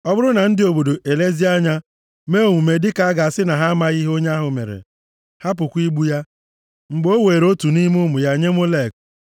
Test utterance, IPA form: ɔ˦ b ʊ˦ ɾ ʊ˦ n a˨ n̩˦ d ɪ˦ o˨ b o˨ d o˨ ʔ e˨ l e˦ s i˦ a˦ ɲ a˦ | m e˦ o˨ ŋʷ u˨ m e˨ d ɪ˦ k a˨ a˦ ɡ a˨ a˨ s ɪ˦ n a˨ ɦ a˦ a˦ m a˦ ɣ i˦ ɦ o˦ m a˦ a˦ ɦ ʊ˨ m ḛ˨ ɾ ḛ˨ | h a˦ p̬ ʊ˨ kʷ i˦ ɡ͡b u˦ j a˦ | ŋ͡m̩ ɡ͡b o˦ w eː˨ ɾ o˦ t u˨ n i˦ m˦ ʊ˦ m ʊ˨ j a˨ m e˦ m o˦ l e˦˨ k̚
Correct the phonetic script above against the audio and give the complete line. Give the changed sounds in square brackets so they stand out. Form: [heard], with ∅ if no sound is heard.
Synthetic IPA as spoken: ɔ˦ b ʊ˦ ɾ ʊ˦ n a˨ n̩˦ d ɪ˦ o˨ b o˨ d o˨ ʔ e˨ l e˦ [z] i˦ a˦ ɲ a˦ | m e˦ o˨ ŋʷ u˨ m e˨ d ɪ˦ k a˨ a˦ ɡ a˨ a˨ s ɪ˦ n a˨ ɦ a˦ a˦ m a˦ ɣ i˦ ɦ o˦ [ɲ] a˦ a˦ ɦ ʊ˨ m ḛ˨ ɾ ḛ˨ | h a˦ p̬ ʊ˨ kʷ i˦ ɡ͡b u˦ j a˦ | ŋ͡m̩ ɡ͡b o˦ w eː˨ ɾ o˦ t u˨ n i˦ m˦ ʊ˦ m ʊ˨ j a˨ [ɲ] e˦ m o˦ l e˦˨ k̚